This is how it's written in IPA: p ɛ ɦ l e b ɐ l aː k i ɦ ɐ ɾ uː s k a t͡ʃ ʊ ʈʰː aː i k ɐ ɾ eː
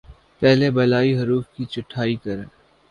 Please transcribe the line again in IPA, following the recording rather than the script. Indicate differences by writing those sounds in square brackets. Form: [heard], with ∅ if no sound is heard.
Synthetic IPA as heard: p ɛ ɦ l e b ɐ l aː [∅] i ɦ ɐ ɾ uː [f] k [i] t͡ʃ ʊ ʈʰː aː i k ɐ ɾ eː